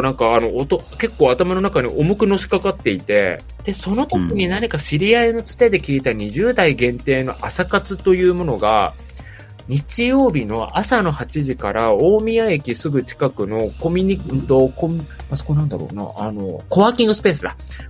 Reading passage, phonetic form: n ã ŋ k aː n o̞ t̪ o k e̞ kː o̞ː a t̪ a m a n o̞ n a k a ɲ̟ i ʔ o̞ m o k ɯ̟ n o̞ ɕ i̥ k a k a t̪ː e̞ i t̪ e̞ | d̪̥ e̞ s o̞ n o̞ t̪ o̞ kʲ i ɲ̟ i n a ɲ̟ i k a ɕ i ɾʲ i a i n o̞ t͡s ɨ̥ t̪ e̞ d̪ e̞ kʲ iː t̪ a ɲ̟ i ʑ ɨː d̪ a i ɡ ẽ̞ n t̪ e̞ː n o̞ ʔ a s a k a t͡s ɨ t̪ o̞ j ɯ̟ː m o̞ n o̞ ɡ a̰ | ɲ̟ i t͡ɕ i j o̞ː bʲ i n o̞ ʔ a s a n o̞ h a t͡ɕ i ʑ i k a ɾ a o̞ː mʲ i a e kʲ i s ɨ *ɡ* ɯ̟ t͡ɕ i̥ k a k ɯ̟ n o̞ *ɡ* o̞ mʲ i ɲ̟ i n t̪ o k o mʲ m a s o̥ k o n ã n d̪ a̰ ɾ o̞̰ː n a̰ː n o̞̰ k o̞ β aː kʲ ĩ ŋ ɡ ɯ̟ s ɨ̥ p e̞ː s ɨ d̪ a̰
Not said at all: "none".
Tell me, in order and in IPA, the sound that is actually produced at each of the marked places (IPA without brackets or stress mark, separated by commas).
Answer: ɡ, k